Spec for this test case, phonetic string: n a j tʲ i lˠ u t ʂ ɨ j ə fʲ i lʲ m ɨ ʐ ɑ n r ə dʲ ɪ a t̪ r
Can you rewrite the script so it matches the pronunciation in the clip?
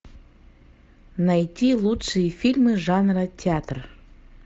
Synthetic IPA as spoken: n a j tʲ i lˠ u t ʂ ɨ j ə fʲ i lʲ m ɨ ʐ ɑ n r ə tʲ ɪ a t̪ r